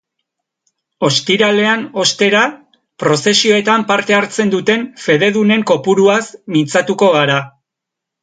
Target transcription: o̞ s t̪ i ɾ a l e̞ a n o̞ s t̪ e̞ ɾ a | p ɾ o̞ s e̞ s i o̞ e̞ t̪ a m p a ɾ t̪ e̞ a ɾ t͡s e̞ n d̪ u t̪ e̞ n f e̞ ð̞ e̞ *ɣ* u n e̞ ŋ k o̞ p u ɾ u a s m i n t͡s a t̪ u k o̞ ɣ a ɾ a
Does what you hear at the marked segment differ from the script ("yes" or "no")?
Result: yes